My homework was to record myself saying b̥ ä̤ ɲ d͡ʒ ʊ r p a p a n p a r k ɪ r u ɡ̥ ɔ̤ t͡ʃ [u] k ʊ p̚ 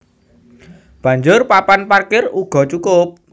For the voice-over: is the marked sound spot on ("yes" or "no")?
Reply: yes